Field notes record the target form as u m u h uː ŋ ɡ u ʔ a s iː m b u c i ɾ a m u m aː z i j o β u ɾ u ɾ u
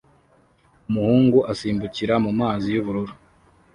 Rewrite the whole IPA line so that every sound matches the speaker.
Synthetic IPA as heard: u m u h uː ŋ ɡ u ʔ a s iː m b u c i ɾ a m u m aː z i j u β u ɾ u ɾ u

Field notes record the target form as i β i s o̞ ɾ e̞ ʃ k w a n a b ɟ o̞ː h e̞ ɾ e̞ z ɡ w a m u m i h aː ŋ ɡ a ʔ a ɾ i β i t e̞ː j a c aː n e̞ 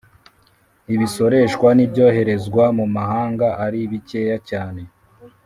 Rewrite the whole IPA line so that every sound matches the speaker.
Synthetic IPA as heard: i β i s o̞ ɾ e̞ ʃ k w a n i b ɟ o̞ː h e̞ ɾ e̞ z ɡ w a m u m a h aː ŋ ɡ a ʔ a ɾ i β i c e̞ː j a c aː n e̞

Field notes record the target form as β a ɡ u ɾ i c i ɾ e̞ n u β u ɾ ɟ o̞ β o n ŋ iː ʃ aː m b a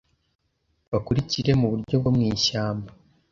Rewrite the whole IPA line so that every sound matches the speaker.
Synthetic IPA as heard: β a k u ɾ i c i ɾ e̞ m u β u ɾ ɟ o̞ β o m ŋ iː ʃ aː m b a

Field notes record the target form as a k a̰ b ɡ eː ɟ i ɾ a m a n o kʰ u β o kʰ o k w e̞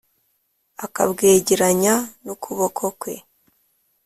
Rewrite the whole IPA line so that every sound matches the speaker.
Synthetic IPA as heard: a k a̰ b ɡ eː ɟ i ɾ a ɲ a n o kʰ u β o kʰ o k w e̞

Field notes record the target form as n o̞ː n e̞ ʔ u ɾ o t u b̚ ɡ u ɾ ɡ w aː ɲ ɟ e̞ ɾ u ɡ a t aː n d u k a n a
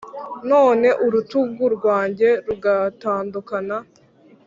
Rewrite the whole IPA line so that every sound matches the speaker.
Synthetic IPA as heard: n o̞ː n e̞ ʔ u ɾ u t u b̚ ɡ u ɾ ɡ w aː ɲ ɟ e̞ ɾ u ɡ a t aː n d u k a n a

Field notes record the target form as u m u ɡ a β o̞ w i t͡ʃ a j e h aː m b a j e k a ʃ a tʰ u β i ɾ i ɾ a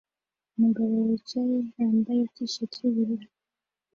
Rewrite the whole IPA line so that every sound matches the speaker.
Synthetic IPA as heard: u m u ɡ a β o̞ w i t͡ʃ a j e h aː m b a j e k i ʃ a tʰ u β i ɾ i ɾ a

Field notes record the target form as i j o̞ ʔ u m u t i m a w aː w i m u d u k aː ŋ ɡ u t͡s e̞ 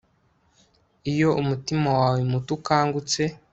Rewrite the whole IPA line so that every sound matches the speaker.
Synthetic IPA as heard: i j o̞ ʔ u m u t i m a w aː w e m u t u k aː ŋ ɡ u t͡s e̞

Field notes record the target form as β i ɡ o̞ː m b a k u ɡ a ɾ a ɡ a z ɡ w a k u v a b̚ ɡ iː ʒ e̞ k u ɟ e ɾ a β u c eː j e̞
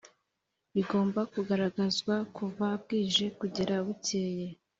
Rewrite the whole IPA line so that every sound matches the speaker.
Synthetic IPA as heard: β i ɡ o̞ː m b a k u ɡ a ɾ a ɡ a z ɡ w a k u v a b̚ ɡ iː ʒ e̞ k u ɟ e ɾ a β u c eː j e̞

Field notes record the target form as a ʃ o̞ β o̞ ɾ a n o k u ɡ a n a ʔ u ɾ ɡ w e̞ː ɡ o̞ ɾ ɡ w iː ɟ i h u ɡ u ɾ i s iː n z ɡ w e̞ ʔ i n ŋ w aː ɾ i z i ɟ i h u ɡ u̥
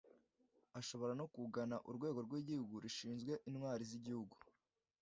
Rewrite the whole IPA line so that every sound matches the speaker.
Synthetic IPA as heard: a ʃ o̞ β o̞ ɾ a n o k u ɡ a n a ʔ u ɾ ɡ w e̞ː ɡ o̞ ɾ ɡ w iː ɟ i h u ɡ u ɾ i ʃ iː n z ɡ w e̞ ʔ i n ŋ w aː ɾ i z i ɟ i h u ɡ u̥

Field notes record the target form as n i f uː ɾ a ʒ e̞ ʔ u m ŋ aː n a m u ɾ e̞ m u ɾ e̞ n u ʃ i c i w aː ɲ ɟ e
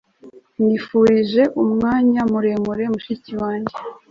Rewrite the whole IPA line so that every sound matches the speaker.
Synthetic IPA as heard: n i f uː ɾ i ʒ e̞ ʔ u m ŋ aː ɲ a m u ɾ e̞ m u ɾ e̞ m u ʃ i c i w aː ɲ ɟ e

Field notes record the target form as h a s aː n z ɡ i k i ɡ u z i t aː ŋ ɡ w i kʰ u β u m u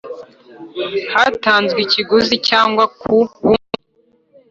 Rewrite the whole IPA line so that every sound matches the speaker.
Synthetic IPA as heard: h a t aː n z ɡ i c i ɡ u z i c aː ŋ ɡ w a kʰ u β u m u

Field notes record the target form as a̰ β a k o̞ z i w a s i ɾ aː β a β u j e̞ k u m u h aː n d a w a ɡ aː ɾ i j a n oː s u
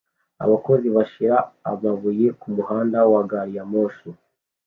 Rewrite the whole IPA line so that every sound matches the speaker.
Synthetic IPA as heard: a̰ β a k o̞ z i β a ʃ i ɾ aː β a β u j e̞ k u m u h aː n d a w a ɡ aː ɾ i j a m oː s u

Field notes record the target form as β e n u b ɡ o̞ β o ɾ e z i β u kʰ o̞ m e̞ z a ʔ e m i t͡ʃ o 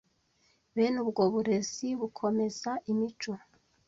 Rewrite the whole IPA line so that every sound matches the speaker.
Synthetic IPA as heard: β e n u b ɡ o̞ β u ɾ e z i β u kʰ o̞ m e̞ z a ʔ i m i t͡ʃ o

